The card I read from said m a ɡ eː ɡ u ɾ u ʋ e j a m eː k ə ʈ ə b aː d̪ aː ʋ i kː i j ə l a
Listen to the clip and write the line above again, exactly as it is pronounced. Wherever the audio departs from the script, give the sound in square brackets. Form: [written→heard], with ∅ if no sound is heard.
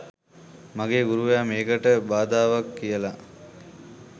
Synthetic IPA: m a ɡ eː ɡ u ɾ u ʋ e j a m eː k ə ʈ ə b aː d̪ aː ʋ [i→a] kː i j ə l a